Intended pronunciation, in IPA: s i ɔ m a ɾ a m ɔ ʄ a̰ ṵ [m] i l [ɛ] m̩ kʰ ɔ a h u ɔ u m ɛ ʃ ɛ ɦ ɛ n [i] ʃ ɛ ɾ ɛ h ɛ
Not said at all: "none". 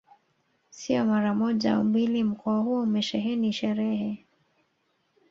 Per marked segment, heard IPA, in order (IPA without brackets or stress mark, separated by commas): m, i, i